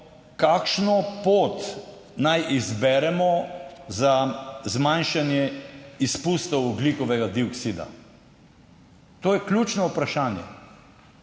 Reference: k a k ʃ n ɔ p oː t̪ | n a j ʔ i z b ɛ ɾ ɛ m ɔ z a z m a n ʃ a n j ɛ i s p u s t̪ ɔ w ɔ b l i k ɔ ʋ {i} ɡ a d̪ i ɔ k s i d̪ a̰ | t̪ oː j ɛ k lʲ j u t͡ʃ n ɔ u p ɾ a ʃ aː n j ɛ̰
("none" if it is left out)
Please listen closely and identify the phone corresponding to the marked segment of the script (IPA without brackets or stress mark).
ɛ